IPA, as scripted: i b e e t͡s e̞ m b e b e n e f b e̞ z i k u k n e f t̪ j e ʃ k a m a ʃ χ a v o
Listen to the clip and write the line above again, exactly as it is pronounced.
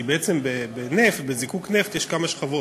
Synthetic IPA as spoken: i b e e t͡s e̞ m b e b e n e f b e̞ z i k u k n e f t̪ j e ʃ k a m a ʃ χ a v o